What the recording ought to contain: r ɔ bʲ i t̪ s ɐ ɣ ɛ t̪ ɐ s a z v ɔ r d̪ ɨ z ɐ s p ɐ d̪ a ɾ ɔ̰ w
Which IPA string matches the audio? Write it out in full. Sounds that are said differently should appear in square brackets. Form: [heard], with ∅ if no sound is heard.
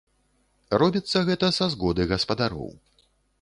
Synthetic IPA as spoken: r ɔ bʲ i t̪ [sː] ɐ ɣ ɛ t̪ ɐ s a z [ɣ] ɔ [∅] d̪ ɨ [ɣ] ɐ s p ɐ d̪ a ɾ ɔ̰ w